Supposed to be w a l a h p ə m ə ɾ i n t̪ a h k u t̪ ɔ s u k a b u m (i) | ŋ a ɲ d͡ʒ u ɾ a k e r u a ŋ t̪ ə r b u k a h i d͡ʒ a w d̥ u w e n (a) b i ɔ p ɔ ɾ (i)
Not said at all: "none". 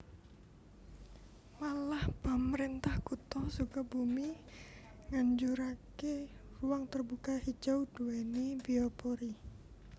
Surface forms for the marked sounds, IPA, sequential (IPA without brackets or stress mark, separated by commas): i, i, i